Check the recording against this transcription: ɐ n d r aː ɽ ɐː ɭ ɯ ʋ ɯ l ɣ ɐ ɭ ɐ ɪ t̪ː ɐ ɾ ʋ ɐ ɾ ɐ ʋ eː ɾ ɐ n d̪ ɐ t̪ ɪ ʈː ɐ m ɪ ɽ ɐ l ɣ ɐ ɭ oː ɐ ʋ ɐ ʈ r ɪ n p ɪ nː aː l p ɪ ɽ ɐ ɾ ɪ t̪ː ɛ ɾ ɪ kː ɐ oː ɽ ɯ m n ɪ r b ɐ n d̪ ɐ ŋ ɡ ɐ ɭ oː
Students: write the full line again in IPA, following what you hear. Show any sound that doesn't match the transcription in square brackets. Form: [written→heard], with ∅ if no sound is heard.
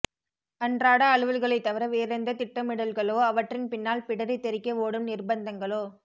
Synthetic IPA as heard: ɐ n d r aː ɽ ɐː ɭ ɯ ʋ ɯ l ɣ ɐ ɭ ɐ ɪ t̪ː ɐ [ɾ→∅] ʋ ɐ ɾ ɐ ʋ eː ɾ ɐ n d̪ ɐ t̪ ɪ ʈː ɐ m ɪ ɽ ɐ l ɣ ɐ ɭ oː ɐ ʋ ɐ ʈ r ɪ n p ɪ nː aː l p ɪ ɽ ɐ ɾ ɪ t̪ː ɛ ɾ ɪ kː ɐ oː ɽ ɯ m n ɪ r b ɐ n d̪ ɐ ŋ ɡ ɐ ɭ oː